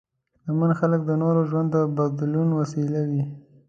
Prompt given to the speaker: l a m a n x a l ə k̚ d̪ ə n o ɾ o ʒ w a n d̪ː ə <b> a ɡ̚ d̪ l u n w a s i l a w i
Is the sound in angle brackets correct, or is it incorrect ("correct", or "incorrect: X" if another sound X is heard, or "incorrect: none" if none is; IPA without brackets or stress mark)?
correct